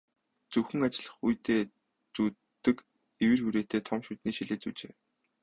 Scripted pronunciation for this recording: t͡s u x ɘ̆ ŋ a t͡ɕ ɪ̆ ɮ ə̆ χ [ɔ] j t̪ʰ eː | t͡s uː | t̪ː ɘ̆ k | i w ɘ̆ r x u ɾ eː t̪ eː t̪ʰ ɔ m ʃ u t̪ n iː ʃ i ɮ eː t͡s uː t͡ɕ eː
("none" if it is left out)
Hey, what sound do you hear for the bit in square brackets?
u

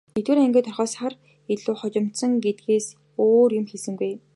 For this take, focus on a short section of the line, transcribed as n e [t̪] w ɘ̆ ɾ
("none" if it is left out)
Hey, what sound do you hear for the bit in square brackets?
t̪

